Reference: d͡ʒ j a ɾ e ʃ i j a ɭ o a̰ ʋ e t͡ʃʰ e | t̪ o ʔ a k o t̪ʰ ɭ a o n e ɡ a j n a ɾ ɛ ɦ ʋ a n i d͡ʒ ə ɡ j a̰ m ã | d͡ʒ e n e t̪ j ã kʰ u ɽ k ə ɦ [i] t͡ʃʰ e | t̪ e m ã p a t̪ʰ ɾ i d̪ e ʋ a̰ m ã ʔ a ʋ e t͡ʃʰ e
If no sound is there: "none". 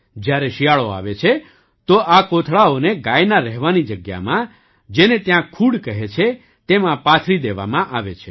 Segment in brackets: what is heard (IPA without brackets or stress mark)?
e